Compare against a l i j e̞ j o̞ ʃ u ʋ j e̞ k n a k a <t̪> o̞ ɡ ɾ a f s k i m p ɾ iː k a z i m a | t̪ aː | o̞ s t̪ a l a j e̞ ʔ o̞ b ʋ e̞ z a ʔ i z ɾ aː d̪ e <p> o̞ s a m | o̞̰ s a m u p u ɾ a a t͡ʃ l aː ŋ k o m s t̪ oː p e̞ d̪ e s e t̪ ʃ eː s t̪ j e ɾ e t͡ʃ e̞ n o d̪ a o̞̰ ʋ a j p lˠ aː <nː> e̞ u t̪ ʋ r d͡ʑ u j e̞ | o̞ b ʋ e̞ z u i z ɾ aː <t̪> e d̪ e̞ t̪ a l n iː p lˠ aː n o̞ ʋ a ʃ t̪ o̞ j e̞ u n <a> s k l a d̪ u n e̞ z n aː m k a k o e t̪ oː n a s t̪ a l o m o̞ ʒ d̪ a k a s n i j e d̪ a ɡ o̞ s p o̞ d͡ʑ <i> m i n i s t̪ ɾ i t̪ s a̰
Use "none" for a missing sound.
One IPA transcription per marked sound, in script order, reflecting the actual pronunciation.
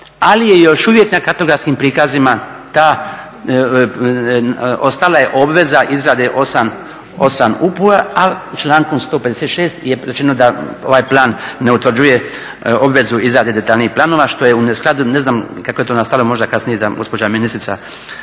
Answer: t̪, ʔ, nː, d̪, e, a

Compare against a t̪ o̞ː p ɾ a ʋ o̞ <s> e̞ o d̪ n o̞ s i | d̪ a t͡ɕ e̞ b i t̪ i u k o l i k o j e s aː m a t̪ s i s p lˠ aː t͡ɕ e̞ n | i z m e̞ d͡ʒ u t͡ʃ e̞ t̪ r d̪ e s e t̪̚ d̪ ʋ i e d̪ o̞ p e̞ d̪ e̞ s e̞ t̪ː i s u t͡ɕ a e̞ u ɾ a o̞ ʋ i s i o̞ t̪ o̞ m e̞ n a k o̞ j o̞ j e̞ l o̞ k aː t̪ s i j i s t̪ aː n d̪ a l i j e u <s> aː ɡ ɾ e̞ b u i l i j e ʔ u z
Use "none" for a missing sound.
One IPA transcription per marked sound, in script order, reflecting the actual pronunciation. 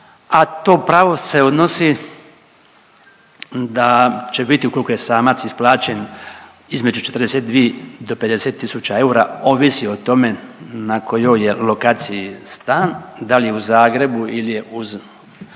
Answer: s, z

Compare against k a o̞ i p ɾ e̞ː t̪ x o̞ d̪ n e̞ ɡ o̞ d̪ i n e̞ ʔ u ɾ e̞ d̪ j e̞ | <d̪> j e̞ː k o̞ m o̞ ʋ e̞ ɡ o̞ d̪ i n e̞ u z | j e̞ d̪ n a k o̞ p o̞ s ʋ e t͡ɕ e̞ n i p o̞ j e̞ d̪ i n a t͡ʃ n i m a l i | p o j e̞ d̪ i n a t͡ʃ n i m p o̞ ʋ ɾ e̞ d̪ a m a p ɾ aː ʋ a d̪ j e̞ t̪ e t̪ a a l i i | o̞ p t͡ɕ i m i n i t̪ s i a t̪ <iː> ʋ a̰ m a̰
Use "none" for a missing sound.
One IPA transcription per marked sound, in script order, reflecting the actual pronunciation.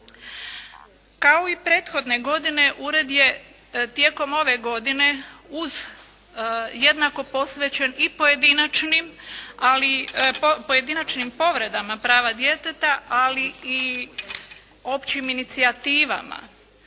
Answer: t̪, iː

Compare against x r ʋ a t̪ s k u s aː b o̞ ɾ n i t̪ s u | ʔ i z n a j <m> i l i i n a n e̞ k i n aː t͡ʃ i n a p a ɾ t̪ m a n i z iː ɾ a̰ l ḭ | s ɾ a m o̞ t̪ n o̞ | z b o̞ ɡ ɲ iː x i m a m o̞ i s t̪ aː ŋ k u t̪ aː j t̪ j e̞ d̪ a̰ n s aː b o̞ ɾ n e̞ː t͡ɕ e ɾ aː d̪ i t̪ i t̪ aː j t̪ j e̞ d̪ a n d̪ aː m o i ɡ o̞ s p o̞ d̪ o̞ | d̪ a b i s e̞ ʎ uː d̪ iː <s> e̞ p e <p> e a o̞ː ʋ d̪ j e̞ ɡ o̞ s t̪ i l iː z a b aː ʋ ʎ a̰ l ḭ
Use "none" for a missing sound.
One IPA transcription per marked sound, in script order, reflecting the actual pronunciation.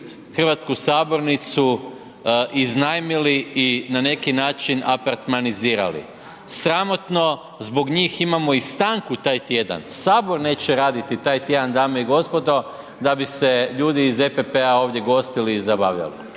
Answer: m, z, p

